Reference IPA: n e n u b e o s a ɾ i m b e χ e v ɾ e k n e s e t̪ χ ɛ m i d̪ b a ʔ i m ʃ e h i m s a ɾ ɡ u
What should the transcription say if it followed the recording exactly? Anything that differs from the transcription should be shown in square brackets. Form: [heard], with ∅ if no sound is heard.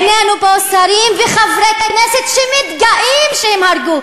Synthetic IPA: n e n u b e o s a ɾ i m [v] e χ [a] v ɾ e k n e s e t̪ [ʃ] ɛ m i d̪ [ɡ] a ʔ i m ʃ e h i m [h] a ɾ ɡ u